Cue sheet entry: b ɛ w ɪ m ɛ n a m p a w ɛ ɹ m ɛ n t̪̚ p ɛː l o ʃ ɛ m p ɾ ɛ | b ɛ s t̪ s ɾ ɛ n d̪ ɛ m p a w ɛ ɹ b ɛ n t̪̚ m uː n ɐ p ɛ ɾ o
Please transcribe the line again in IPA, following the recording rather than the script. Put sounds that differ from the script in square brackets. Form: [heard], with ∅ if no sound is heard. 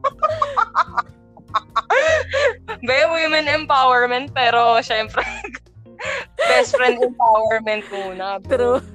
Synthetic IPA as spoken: b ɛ w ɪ m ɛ n [ɛ] m p a w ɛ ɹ m ɛ n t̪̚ p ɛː [ɾ] o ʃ ɛ m p ɾ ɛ | b ɛ s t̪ [f] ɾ ɛ n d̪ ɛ m p a w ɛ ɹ [m] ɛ n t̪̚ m uː n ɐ p ɛ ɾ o